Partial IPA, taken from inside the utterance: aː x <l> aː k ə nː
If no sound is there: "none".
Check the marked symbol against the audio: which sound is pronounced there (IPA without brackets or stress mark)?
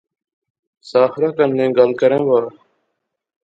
ɾ